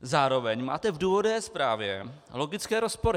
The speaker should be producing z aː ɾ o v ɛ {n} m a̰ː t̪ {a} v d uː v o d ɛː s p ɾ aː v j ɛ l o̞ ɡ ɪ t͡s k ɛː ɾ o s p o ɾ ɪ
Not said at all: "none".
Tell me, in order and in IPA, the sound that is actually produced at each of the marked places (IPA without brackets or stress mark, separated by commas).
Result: ɲ, ɛ